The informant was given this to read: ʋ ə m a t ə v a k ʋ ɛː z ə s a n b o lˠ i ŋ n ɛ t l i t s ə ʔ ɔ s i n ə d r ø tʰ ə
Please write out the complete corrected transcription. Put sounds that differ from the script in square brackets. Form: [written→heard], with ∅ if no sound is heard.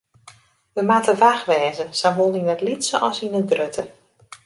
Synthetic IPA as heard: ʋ ə m a t ə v a [k→x] ʋ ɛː z ə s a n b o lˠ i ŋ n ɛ t l i t s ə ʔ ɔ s i n ə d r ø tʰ ə